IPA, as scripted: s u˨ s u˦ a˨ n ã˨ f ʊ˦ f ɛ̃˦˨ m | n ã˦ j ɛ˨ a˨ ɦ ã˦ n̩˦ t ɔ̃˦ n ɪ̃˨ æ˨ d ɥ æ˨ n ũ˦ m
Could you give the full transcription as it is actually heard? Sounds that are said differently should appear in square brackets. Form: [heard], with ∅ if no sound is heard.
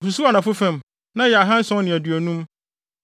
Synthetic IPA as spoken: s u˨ s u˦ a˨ n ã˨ f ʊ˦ f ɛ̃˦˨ m | n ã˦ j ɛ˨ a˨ ɦ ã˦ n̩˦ [s] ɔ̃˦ n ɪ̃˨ æ˨ d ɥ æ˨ n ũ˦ m